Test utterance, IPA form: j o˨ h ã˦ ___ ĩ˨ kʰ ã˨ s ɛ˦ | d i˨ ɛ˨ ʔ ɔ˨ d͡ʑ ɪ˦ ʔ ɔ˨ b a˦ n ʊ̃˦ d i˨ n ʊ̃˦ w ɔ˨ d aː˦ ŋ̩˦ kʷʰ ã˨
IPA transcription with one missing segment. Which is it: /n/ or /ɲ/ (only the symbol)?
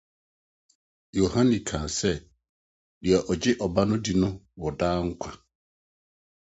n